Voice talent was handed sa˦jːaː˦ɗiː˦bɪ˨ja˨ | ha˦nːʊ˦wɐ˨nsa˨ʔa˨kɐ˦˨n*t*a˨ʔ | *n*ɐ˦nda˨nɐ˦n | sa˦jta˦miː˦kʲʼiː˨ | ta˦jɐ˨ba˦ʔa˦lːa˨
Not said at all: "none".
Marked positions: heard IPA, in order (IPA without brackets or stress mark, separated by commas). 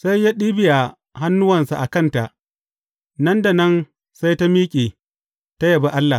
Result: t, n